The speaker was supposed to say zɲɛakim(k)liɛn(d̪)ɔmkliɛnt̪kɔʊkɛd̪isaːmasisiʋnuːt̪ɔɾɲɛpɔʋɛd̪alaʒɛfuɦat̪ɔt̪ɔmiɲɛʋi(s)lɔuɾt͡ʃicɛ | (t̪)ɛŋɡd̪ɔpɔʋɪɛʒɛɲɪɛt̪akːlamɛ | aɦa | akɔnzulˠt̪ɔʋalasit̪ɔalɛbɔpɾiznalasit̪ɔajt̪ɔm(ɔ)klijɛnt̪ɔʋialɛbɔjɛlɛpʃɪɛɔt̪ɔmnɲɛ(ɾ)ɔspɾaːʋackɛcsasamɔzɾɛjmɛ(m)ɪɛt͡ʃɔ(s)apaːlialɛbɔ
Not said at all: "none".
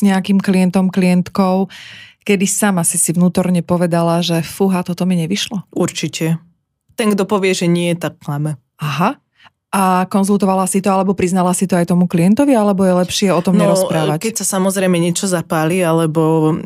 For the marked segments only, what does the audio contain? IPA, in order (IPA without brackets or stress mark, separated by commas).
k, t̪, ʃ, t̪, u, ɾ, ɲ, z